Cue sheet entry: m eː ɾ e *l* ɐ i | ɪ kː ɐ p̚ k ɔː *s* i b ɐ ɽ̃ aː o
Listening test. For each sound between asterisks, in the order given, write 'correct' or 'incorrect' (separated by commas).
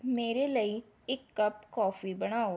correct, incorrect